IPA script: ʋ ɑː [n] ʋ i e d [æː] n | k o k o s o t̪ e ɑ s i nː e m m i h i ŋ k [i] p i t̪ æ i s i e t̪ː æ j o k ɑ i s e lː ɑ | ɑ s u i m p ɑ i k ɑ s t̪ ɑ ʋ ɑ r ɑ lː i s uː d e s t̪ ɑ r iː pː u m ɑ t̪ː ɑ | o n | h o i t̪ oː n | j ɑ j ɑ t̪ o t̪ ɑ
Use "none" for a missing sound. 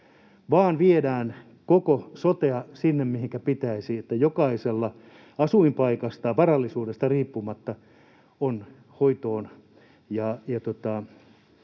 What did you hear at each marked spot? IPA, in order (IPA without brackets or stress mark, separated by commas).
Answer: n, æː, æ